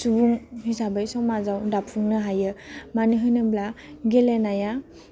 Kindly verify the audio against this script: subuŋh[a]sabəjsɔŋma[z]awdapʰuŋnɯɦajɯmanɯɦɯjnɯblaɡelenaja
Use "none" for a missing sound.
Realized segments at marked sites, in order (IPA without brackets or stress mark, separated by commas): i, z